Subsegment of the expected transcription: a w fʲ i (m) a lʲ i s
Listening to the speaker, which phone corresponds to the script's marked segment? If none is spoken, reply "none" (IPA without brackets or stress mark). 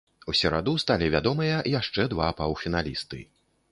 n